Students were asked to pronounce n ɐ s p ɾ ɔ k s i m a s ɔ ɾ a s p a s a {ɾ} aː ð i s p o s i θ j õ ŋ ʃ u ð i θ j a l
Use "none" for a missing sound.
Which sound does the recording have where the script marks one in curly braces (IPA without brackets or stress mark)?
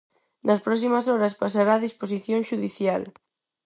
ɾ